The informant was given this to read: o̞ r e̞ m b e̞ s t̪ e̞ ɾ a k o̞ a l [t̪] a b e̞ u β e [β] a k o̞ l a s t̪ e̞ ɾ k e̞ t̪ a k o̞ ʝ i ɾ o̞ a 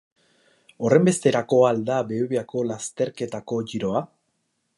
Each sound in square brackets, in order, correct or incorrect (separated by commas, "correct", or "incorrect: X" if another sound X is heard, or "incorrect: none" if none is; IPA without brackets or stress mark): incorrect: d̪, incorrect: none